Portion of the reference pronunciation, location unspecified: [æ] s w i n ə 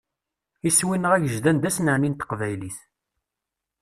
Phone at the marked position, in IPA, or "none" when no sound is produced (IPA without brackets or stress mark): i